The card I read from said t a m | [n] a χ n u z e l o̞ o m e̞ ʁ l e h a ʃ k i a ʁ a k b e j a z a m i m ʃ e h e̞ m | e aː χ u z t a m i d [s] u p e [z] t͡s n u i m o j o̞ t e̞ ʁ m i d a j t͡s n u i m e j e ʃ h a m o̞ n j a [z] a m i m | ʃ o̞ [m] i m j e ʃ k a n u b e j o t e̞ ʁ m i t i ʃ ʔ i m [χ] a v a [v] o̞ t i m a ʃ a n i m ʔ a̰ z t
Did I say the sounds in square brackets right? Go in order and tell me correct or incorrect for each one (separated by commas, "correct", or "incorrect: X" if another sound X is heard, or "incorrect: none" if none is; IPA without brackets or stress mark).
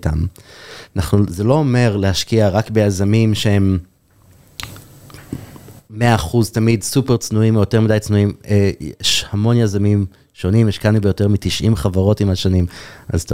correct, correct, incorrect: ʁ, correct, incorrect: n, correct, incorrect: ʁ